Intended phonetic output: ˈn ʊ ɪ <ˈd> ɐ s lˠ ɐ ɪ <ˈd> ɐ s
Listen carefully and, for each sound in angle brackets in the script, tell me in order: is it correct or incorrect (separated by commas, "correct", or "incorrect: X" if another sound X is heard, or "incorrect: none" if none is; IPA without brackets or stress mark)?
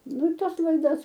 incorrect: t, correct